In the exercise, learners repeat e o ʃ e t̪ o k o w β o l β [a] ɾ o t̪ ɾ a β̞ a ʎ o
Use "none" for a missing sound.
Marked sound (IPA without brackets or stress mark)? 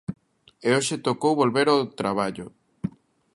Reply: e